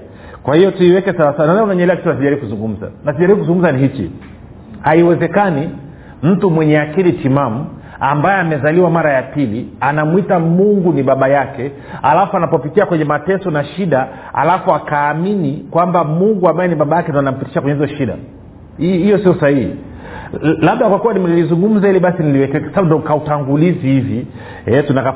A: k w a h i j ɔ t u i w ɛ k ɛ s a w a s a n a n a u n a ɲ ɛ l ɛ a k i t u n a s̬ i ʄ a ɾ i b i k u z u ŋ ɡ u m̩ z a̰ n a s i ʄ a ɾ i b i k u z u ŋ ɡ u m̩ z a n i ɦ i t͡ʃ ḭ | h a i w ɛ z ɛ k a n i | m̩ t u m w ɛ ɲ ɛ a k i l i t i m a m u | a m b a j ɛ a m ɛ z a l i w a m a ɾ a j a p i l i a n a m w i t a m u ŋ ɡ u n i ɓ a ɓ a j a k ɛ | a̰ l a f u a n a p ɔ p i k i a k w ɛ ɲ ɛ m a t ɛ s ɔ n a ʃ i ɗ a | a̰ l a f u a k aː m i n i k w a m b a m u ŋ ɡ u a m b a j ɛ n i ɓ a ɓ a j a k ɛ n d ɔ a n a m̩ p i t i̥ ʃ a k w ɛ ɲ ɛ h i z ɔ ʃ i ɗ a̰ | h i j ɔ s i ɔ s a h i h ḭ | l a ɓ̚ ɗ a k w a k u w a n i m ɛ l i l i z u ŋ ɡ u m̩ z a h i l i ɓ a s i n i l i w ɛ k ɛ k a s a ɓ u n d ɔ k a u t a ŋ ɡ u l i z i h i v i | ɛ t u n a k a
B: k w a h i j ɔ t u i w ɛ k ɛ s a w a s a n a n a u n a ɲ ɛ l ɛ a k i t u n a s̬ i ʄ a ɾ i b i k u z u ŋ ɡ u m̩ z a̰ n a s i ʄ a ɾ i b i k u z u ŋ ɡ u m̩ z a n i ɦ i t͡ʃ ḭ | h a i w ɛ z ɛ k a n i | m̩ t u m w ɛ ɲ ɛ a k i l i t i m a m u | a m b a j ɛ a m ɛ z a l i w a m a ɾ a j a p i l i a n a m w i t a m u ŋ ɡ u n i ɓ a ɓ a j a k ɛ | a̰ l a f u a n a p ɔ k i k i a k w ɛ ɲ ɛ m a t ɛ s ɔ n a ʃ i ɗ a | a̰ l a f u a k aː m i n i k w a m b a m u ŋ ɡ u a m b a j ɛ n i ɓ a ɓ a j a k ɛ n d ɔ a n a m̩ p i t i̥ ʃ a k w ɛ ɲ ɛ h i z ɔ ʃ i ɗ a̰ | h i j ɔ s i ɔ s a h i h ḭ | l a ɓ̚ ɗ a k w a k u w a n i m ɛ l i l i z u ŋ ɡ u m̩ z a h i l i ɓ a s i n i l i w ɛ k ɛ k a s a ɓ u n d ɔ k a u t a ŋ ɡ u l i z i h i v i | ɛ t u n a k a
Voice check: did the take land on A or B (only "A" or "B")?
A